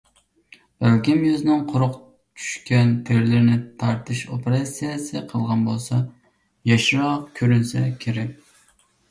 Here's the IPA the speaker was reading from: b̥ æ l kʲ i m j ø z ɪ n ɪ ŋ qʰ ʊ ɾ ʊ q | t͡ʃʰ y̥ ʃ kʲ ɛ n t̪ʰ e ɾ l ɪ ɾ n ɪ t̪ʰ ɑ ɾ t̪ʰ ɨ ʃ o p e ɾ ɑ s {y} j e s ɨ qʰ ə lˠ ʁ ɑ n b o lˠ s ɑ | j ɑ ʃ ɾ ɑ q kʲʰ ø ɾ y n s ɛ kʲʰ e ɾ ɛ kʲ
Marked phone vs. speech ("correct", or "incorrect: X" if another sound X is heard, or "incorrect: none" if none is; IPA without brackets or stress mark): incorrect: i